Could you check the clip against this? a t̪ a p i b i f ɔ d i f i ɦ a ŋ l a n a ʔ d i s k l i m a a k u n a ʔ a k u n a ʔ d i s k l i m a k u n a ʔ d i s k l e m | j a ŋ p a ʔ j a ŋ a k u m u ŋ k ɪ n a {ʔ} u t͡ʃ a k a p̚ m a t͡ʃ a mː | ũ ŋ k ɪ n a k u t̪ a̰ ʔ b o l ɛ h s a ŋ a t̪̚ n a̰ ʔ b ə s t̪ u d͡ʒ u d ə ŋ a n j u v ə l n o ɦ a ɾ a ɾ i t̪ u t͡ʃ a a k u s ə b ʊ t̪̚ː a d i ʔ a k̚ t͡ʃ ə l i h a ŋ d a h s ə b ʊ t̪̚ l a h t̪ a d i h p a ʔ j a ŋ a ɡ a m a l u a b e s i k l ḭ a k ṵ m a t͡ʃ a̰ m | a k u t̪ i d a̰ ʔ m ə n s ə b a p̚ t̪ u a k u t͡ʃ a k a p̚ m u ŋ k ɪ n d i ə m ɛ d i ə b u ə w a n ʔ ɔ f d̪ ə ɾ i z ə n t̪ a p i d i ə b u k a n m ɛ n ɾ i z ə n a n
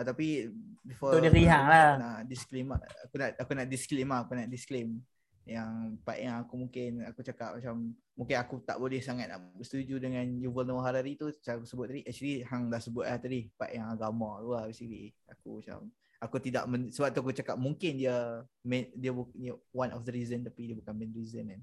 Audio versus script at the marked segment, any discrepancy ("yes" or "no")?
yes